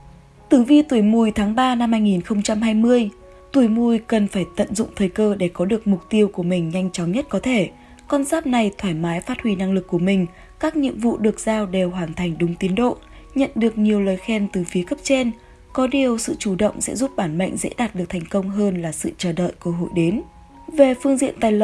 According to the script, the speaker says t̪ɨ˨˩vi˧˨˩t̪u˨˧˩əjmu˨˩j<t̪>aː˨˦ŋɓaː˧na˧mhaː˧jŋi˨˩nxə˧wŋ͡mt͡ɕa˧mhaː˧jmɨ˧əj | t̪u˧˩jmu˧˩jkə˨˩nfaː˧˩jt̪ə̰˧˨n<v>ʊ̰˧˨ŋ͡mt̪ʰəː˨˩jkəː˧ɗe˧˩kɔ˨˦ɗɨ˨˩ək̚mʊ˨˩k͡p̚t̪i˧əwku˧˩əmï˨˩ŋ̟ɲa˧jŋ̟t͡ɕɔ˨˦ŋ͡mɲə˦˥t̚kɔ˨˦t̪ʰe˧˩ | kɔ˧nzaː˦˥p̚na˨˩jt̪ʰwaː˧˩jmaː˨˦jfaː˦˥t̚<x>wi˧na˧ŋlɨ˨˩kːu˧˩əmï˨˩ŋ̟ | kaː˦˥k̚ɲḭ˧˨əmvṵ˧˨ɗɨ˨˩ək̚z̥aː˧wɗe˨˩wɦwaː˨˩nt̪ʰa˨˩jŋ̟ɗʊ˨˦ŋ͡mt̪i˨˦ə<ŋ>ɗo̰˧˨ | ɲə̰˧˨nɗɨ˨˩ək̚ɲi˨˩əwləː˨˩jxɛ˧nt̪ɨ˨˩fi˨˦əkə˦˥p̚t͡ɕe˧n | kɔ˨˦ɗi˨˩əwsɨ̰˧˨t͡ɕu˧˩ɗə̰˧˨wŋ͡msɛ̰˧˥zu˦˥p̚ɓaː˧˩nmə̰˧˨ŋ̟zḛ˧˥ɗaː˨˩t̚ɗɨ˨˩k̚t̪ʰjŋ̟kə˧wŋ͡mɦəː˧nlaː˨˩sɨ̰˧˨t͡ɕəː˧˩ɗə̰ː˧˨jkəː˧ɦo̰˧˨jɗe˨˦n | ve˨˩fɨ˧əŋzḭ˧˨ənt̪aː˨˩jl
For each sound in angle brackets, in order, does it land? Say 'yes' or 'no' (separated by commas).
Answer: no, no, no, no